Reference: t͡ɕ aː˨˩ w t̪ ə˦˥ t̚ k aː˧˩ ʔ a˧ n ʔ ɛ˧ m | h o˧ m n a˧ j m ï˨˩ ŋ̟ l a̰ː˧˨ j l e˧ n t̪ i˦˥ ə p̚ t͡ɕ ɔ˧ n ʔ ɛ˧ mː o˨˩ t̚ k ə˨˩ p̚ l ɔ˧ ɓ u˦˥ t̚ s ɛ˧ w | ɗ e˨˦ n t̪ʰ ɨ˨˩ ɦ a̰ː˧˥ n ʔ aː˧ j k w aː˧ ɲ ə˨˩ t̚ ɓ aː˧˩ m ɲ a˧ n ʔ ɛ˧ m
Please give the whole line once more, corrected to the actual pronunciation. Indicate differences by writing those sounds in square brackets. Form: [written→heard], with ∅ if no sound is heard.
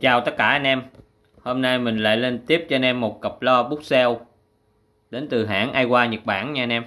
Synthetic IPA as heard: t͡ɕ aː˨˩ w t̪ ə˦˥ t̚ k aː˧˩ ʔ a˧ n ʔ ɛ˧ m | h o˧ m n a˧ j m ï˨˩ ŋ̟ l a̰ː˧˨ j l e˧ n t̪ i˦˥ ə p̚ t͡ɕ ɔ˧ n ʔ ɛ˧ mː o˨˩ t̚ k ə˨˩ p̚ l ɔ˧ ɓ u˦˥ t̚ s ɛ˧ w | ɗ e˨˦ n [t̪ʰ→t̪] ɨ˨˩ ɦ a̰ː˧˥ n ʔ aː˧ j k w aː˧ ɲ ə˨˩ t̚ ɓ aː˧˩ [m→n] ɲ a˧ n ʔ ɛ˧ m